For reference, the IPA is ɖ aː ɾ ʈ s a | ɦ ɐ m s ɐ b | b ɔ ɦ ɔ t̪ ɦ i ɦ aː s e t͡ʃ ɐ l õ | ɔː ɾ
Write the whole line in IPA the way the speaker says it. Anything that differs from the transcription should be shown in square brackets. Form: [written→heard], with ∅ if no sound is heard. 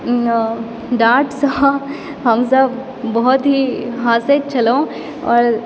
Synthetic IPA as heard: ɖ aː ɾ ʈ s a | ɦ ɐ m s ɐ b | b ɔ ɦ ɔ t̪ ɦ i ɦ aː s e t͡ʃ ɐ l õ | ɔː ɾ